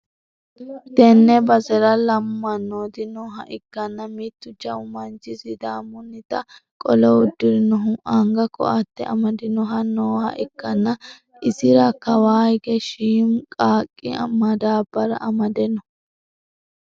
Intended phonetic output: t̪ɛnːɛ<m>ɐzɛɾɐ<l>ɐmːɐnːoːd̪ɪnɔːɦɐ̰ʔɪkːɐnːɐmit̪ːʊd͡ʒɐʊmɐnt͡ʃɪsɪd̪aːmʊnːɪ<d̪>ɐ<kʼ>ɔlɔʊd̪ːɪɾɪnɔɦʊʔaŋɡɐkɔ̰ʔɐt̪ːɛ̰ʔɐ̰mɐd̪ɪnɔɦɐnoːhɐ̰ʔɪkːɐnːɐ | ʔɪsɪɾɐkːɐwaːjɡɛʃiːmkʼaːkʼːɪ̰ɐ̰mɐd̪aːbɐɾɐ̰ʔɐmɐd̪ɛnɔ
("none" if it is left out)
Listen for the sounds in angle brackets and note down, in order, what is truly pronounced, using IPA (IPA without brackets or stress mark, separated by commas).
b, l, t̪, kʼ